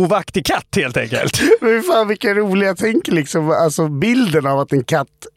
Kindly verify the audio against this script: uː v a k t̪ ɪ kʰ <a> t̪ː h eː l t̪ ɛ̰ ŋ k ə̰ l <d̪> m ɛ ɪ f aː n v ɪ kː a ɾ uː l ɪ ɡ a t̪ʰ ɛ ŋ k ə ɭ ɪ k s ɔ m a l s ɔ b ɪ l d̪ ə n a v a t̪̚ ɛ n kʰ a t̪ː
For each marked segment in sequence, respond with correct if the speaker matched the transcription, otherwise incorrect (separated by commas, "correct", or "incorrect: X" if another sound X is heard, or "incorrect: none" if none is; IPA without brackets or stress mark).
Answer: correct, incorrect: t̪